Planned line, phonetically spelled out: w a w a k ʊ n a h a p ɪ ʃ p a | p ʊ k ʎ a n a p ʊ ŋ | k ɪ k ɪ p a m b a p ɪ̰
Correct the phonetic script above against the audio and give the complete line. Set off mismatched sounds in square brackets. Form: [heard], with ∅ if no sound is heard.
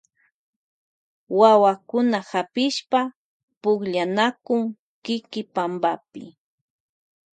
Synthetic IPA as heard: w a w a k ʊ n a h a p ɪ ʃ p a | p ʊ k ʎ a n a [k] ʊ ŋ | k ɪ k ɪ p a m b a p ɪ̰